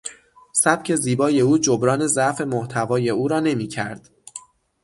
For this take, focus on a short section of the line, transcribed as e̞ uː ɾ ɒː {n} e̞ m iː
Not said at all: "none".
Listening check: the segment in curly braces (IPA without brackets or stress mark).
n